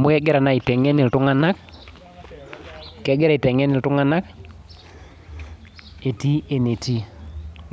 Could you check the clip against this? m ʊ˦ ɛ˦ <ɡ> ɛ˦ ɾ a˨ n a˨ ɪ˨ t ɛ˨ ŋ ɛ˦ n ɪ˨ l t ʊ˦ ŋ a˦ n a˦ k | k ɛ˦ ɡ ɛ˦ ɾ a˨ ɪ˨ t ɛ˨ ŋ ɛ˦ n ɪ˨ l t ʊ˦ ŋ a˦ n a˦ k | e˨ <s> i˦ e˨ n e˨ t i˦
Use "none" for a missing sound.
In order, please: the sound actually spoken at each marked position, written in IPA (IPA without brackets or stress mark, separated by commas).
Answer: ɡ, t